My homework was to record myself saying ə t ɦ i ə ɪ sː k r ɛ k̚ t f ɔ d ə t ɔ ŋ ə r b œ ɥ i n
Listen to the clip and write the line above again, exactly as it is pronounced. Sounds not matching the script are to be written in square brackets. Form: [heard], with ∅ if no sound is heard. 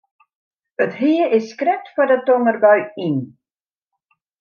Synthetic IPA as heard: ə t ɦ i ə ɪ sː k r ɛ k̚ t f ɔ d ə t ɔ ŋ ə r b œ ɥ i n